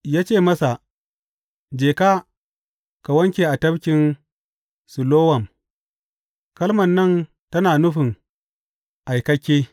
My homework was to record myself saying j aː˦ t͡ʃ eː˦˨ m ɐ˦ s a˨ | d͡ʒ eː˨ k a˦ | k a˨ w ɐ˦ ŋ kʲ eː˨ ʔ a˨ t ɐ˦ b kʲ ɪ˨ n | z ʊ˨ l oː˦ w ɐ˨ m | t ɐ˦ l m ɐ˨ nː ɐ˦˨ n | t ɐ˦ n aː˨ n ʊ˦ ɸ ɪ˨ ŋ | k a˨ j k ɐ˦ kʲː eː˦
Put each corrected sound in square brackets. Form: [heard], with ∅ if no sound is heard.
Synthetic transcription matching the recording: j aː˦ t͡ʃ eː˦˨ m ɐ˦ s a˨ | d͡ʒ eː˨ k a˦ | k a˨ w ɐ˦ ŋ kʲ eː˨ ʔ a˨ t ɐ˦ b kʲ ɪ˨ n | [s] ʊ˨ l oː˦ w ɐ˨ m | [k] ɐ˦ l m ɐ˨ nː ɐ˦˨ n | t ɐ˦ n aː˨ n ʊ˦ ɸ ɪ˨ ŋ | [ʔ] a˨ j k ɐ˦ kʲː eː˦

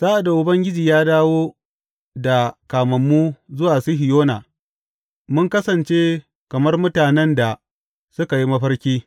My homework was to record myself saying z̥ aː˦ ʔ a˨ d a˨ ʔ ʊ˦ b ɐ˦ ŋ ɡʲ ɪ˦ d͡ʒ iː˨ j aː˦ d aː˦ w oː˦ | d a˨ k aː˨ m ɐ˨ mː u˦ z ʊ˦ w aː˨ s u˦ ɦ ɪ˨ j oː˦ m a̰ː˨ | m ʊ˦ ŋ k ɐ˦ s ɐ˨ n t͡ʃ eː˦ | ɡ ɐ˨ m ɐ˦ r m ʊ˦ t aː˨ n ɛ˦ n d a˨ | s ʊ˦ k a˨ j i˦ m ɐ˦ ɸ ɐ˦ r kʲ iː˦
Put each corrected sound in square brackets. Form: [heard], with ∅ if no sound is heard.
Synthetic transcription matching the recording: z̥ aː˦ ʔ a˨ d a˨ ʔ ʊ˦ b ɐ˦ ŋ ɡʲ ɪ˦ d͡ʒ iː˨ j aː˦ d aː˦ w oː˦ | d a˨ k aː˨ m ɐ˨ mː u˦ z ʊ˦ w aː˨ s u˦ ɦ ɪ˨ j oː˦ [n] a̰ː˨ | m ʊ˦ ŋ k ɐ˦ s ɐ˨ n t͡ʃ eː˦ | [k] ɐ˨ m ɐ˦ r m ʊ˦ t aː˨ n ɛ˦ n d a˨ | s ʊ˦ k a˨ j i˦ m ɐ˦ ɸ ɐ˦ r kʲ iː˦

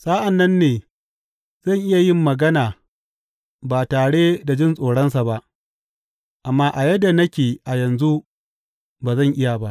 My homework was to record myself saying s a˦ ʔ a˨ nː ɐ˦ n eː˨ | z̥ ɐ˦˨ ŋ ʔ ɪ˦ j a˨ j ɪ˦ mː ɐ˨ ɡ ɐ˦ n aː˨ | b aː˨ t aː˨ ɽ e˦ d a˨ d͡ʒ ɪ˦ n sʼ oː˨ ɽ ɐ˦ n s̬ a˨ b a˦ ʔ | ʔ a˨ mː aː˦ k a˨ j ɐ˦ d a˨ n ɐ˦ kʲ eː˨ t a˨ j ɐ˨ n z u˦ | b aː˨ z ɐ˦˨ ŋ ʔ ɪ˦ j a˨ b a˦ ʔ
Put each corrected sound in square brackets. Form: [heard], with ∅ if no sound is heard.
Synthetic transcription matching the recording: s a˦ ʔ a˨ nː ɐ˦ [nː] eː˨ | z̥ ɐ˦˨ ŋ ʔ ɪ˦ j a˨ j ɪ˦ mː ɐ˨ ɡ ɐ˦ n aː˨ | b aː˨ t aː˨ ɽ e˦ d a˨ d͡ʒ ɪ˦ n sʼ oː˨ ɽ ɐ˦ n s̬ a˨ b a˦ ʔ | ʔ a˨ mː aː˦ [ʔ] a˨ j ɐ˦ d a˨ n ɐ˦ kʲ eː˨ [ʔ] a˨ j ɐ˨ n z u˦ | b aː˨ z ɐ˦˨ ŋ ʔ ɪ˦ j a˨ b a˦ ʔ

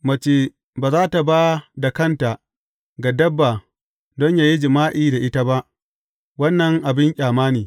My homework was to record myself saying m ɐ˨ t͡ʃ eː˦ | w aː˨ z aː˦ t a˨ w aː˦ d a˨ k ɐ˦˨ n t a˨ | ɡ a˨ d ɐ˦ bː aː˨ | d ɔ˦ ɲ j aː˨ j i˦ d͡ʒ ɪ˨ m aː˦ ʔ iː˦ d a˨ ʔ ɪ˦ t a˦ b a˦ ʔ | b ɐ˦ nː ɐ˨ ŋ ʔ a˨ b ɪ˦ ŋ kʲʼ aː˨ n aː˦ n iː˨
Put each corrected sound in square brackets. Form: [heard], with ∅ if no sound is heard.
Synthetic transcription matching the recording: m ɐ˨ t͡ʃ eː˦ | [b] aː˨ z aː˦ t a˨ [b] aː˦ d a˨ k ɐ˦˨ n t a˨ | ɡ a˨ d ɐ˦ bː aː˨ | d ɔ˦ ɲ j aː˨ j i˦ d͡ʒ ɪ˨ m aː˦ ʔ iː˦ d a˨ ʔ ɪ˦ t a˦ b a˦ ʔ | [w] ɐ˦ nː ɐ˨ ŋ ʔ a˨ b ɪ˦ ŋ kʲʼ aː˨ [m] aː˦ n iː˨

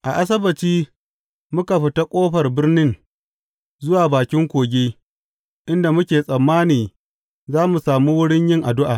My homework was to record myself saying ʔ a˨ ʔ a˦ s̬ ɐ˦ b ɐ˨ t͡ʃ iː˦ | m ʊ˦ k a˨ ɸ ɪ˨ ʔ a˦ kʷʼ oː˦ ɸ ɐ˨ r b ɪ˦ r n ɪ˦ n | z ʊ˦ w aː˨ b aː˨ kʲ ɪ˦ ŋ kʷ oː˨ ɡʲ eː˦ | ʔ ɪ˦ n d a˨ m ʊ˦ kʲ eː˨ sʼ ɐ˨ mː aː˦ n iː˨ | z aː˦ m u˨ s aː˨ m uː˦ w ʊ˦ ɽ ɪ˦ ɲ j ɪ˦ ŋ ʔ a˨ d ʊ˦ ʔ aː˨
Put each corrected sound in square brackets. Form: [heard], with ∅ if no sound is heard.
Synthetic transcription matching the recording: ʔ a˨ ʔ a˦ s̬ ɐ˦ b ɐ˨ t͡ʃ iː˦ | m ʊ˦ k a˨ ɸ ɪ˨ [t] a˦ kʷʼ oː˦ ɸ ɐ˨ r b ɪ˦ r n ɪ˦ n | z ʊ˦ w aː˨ b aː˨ kʲ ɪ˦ ŋ kʷ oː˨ ɡʲ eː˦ | ʔ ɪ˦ n d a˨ m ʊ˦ kʲ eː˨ sʼ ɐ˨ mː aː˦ n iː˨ | z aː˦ m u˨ s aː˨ m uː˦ w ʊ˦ ɽ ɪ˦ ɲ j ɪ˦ ŋ ʔ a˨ d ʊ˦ ʔ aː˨

